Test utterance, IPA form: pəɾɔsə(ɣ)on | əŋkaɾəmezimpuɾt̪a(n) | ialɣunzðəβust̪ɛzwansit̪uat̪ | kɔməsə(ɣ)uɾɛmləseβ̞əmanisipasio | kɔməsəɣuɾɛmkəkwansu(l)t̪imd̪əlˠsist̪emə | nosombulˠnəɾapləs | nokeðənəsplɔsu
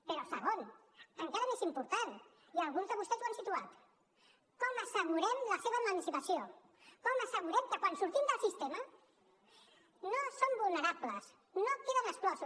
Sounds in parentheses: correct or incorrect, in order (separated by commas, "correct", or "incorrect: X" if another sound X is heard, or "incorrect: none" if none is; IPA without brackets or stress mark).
correct, correct, correct, incorrect: ɾ